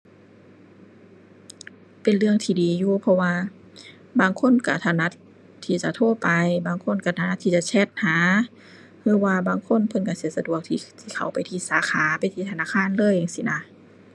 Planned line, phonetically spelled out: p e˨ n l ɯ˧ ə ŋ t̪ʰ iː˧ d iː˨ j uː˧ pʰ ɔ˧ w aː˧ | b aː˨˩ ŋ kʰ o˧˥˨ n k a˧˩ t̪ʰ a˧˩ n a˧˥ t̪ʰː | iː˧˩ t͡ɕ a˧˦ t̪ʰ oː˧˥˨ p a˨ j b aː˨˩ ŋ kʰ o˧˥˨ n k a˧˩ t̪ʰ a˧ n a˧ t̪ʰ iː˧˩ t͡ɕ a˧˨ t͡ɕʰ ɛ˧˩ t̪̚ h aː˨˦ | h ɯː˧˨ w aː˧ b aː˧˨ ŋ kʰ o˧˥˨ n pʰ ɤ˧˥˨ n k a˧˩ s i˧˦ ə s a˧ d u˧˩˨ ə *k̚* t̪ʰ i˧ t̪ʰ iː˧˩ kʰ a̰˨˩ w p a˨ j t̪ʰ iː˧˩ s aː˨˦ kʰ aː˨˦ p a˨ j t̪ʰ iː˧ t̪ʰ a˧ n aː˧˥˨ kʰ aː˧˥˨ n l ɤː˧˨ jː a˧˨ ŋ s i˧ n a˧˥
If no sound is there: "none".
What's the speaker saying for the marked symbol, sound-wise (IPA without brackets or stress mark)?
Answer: k̚